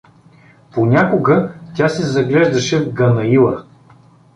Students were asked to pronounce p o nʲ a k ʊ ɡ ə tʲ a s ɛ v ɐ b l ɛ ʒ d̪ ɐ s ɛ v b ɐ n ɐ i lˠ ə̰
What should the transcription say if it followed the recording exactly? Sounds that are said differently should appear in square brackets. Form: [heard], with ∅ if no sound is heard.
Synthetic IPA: p o nʲ a k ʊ ɡ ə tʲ a s ɛ [z] ɐ [ɡ] l ɛ ʒ d̪ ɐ [ʃ] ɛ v [ɡ] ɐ n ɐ i lˠ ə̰